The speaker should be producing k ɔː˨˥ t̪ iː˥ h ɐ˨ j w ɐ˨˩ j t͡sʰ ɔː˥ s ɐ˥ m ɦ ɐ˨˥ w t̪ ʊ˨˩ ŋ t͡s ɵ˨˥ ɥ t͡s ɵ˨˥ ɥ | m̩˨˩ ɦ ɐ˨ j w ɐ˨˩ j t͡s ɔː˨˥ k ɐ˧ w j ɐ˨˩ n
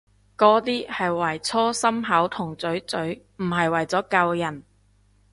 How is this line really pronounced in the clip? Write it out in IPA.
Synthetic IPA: k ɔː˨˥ t̪ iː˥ h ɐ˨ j w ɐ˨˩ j t͡sʰ ɔː˥ s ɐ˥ m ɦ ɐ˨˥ w t̪ʰ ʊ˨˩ ŋ t͡s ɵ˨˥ ɥ t͡s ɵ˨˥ ɥ | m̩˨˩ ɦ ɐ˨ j w ɐ˨˩ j t͡s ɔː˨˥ k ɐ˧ w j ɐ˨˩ n